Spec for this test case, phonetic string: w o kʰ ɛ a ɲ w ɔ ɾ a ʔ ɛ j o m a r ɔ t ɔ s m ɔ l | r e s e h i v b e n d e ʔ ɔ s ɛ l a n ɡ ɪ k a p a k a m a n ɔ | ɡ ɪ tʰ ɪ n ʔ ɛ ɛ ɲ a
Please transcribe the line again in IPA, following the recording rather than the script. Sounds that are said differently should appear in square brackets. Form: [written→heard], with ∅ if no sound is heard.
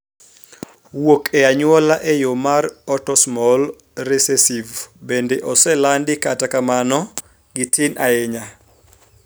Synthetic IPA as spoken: w o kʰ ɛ a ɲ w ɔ [ɾ→l] a ʔ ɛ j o m a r ɔ t ɔ s m ɔ l | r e s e [h→s] i v b e n d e ʔ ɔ s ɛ l a n [ɡ→d] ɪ k a [p→t] a k a m a n ɔ | ɡ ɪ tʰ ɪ n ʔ [ɛ→a] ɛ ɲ a